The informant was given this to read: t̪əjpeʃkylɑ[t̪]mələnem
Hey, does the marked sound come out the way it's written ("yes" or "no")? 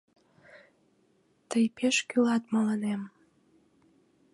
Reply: yes